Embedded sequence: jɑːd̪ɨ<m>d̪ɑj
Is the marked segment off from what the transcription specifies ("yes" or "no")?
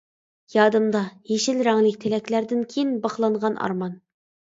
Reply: no